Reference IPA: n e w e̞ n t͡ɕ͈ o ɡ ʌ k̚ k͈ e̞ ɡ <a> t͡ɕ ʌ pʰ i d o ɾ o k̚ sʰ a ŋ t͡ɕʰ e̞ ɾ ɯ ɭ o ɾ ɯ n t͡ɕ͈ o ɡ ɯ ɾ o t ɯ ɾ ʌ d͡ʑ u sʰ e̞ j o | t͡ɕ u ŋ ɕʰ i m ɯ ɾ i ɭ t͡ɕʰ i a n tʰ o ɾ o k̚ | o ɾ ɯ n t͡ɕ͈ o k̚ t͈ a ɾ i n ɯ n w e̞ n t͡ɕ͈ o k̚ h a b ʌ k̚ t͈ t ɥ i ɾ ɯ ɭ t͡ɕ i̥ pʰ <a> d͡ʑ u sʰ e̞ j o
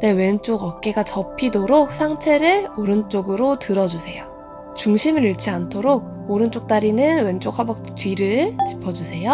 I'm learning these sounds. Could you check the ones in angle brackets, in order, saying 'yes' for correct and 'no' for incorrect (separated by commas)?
yes, no